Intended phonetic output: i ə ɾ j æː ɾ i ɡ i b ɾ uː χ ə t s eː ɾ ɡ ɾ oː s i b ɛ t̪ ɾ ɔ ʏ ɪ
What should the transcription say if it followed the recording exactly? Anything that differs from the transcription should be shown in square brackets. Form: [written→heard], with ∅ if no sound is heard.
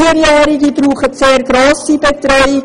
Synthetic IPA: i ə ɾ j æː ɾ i ɡ i b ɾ uː χ ə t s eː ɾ ɡ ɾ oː s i b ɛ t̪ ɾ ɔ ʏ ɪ